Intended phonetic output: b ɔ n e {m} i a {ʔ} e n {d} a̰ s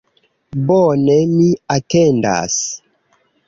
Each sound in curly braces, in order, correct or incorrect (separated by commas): correct, incorrect, correct